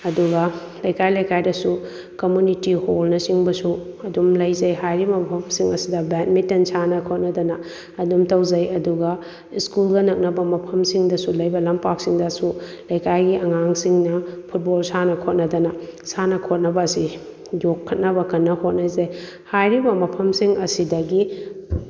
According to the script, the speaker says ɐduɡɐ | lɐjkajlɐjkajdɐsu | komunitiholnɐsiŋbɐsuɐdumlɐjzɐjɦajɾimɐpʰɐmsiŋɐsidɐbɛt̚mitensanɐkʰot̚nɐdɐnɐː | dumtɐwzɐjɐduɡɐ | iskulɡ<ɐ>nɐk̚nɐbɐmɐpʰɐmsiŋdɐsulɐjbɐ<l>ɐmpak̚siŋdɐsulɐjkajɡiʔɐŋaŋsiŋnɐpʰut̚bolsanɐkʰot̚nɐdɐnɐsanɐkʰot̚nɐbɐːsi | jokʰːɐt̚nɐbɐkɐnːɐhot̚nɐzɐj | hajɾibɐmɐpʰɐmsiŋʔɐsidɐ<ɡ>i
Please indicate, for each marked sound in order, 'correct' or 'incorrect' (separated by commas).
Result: correct, correct, correct